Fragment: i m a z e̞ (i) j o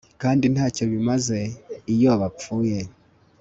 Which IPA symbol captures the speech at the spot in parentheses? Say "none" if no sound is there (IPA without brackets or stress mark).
i